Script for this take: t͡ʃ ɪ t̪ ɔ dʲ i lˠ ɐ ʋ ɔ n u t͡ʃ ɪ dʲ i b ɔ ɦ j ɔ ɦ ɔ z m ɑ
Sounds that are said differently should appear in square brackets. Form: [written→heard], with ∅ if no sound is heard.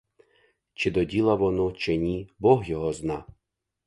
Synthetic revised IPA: t͡ʃ ɪ [t̪→d̪] ɔ dʲ i lˠ ɐ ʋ ɔ n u t͡ʃ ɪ [dʲ→nʲ] i b ɔ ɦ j ɔ ɦ ɔ z [m→n] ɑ